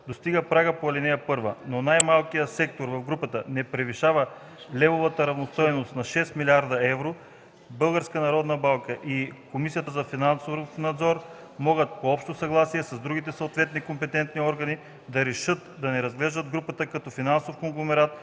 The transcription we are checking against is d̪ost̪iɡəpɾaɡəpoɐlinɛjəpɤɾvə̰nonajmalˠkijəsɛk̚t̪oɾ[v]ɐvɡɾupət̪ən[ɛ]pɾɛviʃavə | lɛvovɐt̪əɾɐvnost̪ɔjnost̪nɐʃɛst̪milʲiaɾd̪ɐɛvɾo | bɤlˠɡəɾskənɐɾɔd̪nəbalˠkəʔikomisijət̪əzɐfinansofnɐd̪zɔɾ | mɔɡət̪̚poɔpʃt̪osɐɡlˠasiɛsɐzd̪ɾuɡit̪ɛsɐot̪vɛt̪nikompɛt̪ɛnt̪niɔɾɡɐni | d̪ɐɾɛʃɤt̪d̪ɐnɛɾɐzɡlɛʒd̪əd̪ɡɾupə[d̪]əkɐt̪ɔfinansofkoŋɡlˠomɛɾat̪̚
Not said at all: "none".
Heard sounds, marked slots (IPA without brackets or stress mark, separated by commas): v, ɛ, t̪